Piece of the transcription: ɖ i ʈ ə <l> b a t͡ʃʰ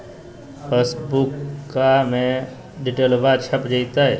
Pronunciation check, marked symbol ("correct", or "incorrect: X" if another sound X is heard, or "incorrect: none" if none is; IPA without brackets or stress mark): correct